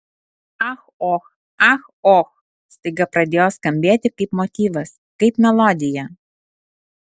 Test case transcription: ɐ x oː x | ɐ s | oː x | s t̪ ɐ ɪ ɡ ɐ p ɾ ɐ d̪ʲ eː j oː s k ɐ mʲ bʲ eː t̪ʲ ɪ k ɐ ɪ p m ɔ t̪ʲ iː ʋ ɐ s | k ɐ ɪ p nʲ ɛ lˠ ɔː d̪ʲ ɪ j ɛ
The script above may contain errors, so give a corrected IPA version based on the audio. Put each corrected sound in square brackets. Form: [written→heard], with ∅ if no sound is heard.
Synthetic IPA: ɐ x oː x | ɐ [s→x] | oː x | s t̪ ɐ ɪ ɡ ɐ p ɾ ɐ d̪ʲ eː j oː s k ɐ mʲ bʲ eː t̪ʲ ɪ k ɐ ɪ p m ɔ t̪ʲ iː ʋ ɐ s | k ɐ ɪ p [nʲ→mʲ] ɛ lˠ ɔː d̪ʲ ɪ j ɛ